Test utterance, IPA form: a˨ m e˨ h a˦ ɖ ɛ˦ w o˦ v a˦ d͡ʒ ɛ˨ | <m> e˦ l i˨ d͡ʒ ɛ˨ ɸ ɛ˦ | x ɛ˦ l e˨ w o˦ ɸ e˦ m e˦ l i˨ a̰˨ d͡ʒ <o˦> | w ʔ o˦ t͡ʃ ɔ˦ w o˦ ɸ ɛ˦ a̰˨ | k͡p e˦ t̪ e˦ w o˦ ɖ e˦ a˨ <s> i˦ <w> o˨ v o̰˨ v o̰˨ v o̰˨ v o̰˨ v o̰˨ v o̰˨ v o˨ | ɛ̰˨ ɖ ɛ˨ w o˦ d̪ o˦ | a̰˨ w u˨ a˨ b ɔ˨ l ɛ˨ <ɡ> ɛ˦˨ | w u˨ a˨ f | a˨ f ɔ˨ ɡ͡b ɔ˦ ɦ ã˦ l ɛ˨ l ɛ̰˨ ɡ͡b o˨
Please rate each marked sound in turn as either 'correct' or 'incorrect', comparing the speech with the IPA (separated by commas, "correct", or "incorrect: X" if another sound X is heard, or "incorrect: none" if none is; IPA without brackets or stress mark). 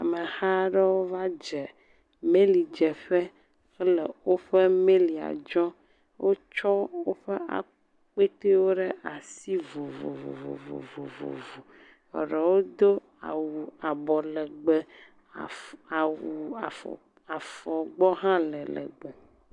correct, incorrect: ɔ˦, correct, incorrect: v, incorrect: ɡ͡b